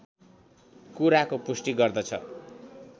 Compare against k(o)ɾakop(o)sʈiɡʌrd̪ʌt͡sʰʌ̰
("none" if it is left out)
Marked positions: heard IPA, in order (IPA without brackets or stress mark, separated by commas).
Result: u, u